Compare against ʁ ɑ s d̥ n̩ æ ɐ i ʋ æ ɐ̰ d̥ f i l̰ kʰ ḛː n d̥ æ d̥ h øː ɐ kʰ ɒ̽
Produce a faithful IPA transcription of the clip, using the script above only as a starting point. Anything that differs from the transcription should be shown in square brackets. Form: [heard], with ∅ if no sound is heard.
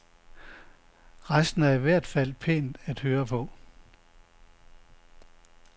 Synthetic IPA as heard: ʁ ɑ s d̥ n̩ æ ɐ i ʋ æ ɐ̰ d̥ f [æ] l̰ [pʰ] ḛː n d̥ æ d̥ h øː ɐ [pʰ] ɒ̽